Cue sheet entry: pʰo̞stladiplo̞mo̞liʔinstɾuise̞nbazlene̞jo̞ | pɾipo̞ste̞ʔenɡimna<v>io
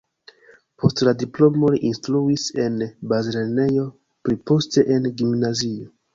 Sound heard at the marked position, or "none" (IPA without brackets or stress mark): z